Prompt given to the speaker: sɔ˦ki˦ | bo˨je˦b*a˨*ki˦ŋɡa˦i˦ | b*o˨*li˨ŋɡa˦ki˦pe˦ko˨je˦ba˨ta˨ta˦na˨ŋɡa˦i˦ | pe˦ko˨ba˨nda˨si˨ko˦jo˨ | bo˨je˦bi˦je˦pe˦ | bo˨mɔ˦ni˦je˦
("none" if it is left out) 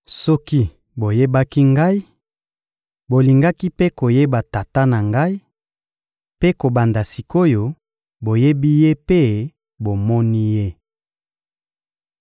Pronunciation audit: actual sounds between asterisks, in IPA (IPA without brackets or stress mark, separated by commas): a˦, o˨